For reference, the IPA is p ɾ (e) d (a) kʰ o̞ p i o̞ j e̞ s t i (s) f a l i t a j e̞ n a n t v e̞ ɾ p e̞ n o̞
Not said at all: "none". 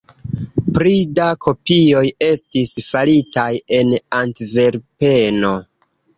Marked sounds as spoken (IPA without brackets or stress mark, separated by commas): i, a, s